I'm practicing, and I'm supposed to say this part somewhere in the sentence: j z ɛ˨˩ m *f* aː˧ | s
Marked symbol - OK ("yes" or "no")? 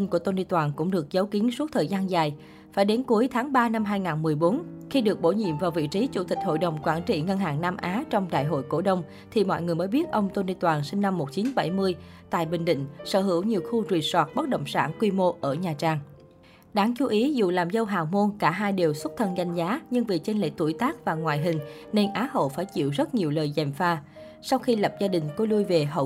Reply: yes